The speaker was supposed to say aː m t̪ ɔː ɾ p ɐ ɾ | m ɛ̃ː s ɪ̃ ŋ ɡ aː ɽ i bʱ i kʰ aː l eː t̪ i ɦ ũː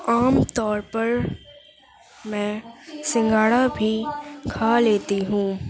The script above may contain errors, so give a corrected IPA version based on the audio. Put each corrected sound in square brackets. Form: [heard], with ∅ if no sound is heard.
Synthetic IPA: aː m t̪ ɔː ɾ p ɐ ɾ | m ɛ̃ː s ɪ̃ ŋ ɡ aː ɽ [a] bʱ i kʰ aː l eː t̪ i ɦ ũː